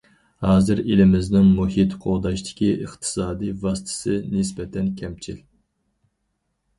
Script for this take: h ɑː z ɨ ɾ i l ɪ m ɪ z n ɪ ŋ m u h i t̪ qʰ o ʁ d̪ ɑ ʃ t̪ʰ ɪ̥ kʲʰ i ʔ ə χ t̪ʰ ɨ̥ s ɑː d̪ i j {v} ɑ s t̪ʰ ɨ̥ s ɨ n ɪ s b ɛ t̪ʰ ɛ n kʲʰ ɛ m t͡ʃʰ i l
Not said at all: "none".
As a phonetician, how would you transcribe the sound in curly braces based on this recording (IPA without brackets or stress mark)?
v